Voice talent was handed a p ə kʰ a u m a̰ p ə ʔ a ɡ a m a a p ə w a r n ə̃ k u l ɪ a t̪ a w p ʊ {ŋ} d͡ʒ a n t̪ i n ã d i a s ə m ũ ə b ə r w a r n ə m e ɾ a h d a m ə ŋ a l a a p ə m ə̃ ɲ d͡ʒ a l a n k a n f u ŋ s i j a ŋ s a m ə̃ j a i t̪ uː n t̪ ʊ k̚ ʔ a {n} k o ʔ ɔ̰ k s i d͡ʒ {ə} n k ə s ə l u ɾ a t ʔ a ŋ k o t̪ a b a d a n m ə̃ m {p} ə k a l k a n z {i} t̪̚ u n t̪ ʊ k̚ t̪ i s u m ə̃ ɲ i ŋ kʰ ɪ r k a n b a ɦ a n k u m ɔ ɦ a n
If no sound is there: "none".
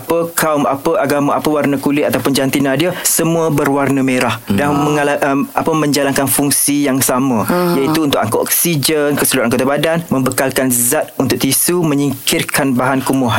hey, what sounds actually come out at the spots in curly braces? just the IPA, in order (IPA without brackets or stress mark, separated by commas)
n, ŋ, ə, b, a